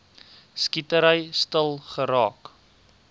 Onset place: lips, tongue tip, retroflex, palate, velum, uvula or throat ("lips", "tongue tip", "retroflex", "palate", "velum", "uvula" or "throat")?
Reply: tongue tip